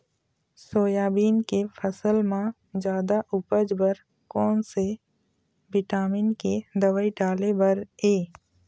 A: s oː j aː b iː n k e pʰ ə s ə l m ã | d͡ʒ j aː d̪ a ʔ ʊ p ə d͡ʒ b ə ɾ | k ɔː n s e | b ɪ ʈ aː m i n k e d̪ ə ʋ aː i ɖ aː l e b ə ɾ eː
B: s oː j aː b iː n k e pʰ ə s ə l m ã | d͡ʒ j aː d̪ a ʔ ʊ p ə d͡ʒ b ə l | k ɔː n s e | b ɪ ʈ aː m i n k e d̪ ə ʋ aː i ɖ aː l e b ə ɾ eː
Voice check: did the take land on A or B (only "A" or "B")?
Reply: A